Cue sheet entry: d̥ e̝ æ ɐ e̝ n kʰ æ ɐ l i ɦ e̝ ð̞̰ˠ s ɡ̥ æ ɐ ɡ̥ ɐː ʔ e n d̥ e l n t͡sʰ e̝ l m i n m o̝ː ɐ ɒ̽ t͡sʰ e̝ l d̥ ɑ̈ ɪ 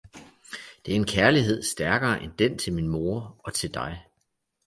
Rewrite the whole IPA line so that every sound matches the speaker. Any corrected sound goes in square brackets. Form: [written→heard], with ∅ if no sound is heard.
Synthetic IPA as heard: d̥ e̝ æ ɐ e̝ n kʰ æ ɐ l i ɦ e̝ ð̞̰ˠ s [ɡ̥→d̥] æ ɐ ɡ̥ ɐː ʔ e n d̥ e [l→∅] n t͡sʰ e̝ l m i n m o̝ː ɐ ɒ̽ t͡sʰ e̝ l d̥ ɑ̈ ɪ